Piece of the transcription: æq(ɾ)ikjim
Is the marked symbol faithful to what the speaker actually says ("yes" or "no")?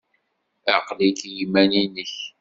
no